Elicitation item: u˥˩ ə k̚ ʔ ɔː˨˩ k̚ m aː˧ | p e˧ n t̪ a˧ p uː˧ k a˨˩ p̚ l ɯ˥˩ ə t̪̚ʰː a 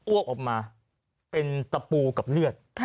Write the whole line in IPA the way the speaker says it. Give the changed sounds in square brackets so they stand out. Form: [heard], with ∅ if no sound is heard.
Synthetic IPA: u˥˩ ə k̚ ʔ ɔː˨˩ k̚ m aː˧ | p e˧ n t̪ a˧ p uː˧ k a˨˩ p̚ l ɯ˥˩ ə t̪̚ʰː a